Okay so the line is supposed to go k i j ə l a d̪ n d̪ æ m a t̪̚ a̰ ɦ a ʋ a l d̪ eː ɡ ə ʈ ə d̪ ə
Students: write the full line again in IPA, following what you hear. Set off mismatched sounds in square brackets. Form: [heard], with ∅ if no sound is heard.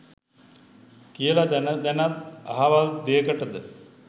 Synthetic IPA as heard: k i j ə l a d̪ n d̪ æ [n] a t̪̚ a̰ ɦ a ʋ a l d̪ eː [k] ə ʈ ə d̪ ə